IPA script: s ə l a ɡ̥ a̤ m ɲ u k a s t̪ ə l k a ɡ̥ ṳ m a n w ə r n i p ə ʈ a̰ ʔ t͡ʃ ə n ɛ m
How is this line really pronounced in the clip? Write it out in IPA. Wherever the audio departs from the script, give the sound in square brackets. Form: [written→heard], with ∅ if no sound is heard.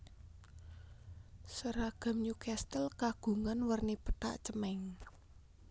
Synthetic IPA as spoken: s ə [l→ɾ] a ɡ̥ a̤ m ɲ u k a s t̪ ə l k a ɡ̥ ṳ [m→ŋ] a n w ə r n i p ə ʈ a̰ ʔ t͡ʃ ə [n→m] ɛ [m→ŋ]

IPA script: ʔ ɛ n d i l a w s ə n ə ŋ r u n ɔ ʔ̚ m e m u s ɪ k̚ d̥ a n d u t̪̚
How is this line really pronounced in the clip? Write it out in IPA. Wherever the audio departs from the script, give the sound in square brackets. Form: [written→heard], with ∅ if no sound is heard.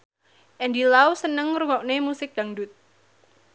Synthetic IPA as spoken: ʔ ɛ n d i l a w s ə n ə ŋ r u [n→ŋ] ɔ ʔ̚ [m→n] e m u s ɪ k̚ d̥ a [n→ŋ] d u t̪̚

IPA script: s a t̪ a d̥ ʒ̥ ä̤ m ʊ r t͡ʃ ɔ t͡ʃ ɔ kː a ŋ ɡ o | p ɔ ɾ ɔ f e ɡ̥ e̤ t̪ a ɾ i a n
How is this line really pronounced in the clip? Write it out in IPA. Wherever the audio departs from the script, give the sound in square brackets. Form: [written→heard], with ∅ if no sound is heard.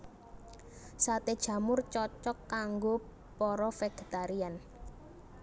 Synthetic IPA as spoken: s a t̪ [a→e] d̥ ʒ̥ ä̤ m ʊ r t͡ʃ ɔ t͡ʃ ɔ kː a ŋ ɡ o | p ɔ ɾ ɔ f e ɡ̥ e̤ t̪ a ɾ i a n

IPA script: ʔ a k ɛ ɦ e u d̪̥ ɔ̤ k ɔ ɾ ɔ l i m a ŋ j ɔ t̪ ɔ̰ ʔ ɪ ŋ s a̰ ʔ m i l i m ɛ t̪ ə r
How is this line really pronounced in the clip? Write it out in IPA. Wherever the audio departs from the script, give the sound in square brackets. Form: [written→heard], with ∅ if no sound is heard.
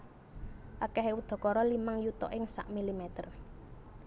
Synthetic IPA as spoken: ʔ a k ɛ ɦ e u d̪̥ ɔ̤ k ɔ ɾ ɔ l i m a ŋ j [ɔ→u] t̪ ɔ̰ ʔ ɪ ŋ s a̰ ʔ m i l i m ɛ t̪ ə r

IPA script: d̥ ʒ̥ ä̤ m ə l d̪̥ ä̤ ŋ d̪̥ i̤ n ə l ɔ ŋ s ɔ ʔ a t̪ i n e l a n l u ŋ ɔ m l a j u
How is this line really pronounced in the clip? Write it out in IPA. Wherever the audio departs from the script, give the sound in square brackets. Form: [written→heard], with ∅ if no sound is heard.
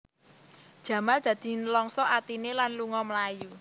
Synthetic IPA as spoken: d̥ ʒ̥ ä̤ m [ə→a] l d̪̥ ä̤ [ŋ→∅] d̪̥ i̤ n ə l ɔ ŋ s ɔ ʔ a t̪ i n e l a n l u ŋ ɔ m l a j u

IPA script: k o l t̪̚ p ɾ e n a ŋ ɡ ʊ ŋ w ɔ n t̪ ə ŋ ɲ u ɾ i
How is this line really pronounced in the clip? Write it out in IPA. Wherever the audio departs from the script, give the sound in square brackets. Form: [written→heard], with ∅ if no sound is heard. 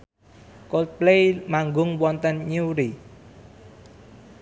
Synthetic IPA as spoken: k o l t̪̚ p [ɾ→l] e [n→m] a ŋ ɡ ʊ ŋ w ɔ n t̪ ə [ŋ→n] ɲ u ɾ i

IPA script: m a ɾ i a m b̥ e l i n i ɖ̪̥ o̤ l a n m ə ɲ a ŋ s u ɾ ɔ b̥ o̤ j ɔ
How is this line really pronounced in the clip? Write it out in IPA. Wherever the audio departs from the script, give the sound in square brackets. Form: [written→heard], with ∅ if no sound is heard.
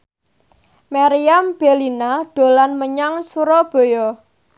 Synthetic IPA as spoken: m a ɾ i a m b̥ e l i n [i→a] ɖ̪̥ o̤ l a n m ə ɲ a ŋ s u ɾ ɔ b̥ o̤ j ɔ

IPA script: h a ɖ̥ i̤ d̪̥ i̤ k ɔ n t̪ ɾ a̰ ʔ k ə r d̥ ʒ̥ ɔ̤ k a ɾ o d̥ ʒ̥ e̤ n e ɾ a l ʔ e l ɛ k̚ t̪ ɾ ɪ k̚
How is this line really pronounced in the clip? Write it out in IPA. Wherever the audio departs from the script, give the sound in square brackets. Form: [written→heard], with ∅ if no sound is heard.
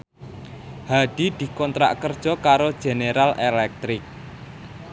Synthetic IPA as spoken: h a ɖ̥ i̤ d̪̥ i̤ k ɔ n t̪ ɾ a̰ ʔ k ə r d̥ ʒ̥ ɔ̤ k a ɾ o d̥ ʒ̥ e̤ n e ɾ a l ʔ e l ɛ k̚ t̪ ɾ ɪ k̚

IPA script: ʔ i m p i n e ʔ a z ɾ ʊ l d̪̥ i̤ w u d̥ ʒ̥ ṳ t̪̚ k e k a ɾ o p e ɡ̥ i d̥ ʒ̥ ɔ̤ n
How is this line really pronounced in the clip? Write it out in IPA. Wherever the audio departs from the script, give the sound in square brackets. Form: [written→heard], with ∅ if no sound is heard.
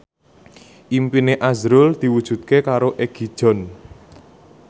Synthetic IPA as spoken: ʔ i m p i n e ʔ a z ɾ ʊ l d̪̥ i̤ w u d̥ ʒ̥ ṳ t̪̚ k e k a ɾ o [p→ʔ] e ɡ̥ i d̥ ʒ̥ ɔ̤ n

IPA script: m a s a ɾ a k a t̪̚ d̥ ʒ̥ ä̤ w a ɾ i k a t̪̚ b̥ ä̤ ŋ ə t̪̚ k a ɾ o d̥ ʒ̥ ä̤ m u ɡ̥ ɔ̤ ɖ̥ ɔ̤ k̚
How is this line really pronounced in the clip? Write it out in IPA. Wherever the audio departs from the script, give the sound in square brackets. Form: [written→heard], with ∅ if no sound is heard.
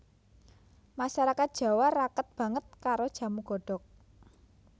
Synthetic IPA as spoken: m a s a ɾ a k a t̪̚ d̥ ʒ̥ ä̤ w a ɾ [i→a] k [a→ə] t̪̚ b̥ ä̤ ŋ ə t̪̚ k a ɾ o d̥ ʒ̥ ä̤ m u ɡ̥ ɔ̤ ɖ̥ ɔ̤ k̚

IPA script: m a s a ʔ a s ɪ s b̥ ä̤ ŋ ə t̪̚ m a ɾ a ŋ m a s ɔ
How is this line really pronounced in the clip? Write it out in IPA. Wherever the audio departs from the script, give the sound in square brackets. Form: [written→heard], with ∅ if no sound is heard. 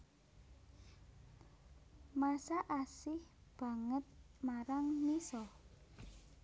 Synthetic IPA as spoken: m a s a ʔ a s ɪ [s→h] b̥ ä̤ ŋ ə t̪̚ m a ɾ a ŋ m [a→i] s ɔ

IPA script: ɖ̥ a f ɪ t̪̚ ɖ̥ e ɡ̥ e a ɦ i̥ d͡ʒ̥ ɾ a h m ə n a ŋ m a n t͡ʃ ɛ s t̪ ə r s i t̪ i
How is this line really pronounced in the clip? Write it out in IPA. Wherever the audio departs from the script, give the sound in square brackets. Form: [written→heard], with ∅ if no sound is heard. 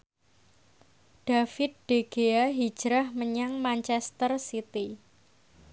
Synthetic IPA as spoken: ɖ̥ a f ɪ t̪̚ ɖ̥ e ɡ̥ e a ɦ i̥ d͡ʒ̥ ɾ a h m ə [n→ɲ] a ŋ m a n t͡ʃ ɛ s t̪ ə r s i t̪ i

